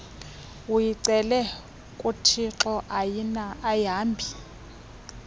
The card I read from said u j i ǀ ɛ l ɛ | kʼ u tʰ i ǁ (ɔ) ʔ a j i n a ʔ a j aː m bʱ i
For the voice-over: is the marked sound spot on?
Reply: yes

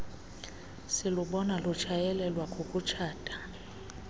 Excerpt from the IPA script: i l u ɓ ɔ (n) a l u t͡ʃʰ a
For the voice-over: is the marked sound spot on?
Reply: yes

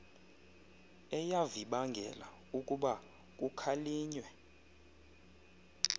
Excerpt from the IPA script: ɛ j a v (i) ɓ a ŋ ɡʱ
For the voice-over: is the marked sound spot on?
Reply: yes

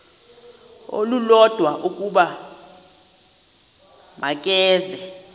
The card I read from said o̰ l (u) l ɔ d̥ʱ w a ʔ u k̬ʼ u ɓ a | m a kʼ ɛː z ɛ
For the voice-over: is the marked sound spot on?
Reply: yes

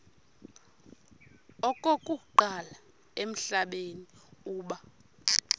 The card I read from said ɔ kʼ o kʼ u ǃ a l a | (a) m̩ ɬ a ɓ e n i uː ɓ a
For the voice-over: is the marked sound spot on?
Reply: no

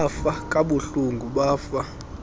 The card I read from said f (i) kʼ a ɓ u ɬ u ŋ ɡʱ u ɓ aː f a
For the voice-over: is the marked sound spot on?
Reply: no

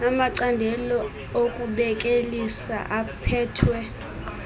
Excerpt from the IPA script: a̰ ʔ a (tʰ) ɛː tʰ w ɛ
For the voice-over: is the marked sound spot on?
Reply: no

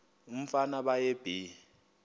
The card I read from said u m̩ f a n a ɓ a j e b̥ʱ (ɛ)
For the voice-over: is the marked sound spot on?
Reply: no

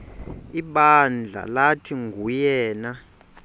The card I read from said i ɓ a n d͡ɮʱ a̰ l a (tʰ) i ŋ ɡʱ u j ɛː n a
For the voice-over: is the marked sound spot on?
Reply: yes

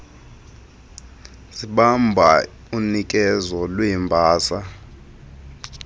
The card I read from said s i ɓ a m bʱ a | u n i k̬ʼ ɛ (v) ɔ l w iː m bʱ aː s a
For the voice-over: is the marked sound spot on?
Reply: no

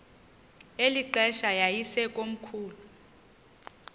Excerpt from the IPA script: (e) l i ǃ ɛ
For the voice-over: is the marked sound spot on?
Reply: yes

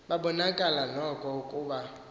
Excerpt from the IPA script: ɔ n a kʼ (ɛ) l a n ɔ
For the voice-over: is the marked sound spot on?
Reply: no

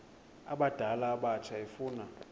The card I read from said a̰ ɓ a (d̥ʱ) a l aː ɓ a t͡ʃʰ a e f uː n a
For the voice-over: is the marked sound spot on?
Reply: yes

